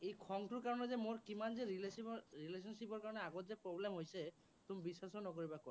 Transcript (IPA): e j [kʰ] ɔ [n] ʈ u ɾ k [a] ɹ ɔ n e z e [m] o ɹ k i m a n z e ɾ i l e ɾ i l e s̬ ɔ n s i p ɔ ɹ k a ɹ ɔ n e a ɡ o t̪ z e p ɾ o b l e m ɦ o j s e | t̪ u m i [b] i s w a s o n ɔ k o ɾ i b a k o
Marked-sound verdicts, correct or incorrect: correct, incorrect, correct, correct, correct

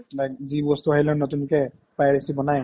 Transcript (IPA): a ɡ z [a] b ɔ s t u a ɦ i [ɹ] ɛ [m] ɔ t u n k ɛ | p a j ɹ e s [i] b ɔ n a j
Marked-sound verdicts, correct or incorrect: incorrect, incorrect, incorrect, correct

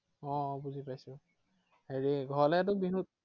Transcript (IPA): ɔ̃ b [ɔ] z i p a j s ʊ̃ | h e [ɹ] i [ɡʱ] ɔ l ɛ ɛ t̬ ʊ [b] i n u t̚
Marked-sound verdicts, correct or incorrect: incorrect, correct, correct, correct

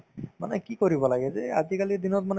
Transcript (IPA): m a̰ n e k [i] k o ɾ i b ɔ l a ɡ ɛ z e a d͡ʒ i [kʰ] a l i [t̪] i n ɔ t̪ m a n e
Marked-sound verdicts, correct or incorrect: correct, incorrect, incorrect

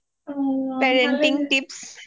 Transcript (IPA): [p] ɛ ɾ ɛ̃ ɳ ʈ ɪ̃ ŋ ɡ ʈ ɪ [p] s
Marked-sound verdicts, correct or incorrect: correct, correct

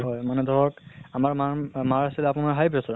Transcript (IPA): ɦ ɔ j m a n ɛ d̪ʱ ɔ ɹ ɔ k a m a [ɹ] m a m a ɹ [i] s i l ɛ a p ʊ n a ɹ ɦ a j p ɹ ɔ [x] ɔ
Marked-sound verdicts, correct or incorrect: correct, incorrect, incorrect

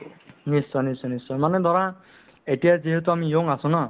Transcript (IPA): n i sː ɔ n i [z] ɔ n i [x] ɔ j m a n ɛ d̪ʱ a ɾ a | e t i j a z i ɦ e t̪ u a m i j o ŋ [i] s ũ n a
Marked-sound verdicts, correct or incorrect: incorrect, incorrect, incorrect

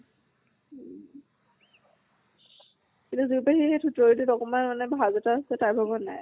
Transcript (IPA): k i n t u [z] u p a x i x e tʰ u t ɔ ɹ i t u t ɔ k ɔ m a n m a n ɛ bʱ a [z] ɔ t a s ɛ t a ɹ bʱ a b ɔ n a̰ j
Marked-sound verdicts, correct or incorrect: correct, correct

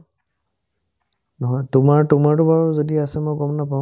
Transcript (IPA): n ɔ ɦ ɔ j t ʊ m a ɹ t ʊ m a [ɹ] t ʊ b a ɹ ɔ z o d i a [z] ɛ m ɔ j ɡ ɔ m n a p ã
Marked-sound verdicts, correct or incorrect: correct, incorrect

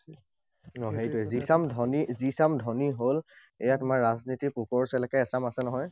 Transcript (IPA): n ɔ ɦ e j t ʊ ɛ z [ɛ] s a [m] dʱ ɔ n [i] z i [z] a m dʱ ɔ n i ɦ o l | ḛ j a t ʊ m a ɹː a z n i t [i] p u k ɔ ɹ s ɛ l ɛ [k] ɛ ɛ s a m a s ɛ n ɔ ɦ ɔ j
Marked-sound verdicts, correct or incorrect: incorrect, correct, correct, incorrect, correct, correct

